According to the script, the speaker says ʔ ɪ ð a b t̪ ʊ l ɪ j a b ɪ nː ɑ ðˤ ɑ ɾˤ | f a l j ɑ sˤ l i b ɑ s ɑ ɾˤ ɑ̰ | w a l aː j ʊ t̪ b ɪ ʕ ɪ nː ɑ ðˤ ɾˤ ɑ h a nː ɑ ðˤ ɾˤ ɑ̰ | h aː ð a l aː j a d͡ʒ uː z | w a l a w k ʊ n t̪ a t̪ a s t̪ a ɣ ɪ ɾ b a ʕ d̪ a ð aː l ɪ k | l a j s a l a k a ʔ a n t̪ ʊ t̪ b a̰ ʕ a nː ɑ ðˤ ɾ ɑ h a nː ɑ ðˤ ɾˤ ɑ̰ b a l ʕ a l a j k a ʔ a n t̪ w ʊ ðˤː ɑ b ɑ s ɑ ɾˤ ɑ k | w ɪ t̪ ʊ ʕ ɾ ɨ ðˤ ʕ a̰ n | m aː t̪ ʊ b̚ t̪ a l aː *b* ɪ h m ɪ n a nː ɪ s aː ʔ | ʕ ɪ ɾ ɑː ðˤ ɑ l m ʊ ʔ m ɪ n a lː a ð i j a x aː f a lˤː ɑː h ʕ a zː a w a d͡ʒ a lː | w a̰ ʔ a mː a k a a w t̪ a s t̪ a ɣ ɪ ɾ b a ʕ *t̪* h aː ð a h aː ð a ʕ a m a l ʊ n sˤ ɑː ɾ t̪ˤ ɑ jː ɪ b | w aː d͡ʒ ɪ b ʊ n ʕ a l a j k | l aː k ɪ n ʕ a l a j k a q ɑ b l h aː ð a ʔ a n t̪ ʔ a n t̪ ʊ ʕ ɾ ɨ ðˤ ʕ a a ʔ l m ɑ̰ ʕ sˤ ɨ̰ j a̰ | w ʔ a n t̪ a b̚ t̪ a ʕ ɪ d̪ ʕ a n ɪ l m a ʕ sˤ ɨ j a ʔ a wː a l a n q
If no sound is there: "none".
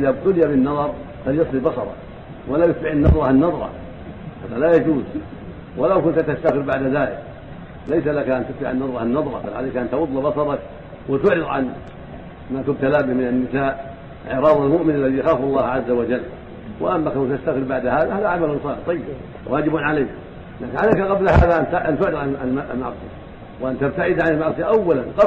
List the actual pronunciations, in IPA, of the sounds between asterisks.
b, d̪

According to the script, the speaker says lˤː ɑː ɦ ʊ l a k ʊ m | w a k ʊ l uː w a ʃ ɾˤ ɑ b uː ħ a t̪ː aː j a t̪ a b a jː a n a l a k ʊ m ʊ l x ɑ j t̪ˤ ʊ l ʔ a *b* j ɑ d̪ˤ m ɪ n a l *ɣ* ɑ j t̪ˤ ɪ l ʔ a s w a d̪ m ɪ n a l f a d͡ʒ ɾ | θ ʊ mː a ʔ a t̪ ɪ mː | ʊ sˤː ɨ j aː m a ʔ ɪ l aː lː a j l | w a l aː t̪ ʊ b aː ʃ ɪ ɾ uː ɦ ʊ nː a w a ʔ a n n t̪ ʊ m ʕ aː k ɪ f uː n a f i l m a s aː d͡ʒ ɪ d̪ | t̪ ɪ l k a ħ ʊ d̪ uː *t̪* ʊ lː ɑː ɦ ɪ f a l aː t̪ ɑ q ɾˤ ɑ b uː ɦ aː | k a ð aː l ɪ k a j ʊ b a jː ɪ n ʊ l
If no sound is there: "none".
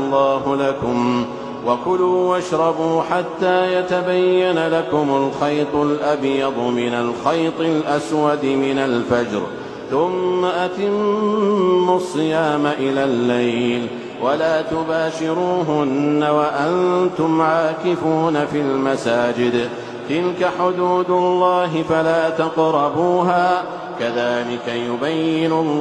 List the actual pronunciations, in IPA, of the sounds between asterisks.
b, x, d̪

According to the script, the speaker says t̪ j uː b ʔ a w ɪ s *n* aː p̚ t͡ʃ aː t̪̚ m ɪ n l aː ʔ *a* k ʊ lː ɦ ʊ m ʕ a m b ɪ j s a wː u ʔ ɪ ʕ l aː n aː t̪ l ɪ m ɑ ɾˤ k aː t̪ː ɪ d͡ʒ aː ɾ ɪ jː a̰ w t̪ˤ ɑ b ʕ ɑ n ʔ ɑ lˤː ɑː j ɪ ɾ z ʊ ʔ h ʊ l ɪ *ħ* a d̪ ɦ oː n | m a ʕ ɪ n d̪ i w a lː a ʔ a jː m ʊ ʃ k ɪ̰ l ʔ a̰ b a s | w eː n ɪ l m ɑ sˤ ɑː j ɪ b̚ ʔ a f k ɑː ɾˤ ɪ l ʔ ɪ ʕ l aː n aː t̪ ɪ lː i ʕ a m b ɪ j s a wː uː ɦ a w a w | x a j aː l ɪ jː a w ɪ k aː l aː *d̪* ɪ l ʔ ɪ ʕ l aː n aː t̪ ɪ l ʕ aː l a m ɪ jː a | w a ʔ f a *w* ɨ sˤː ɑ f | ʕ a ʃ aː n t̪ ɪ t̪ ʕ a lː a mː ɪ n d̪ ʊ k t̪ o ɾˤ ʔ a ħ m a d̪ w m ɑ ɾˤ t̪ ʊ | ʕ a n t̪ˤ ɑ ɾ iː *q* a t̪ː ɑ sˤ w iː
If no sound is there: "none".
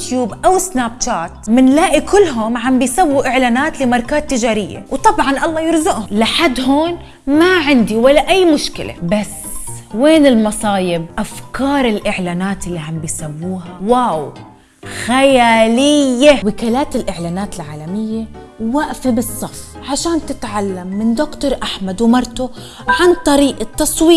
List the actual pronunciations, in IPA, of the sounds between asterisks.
n, i, ħ, t̪, b, ʔ

